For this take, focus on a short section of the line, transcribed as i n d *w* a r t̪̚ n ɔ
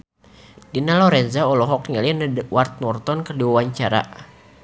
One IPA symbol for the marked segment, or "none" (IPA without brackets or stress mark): w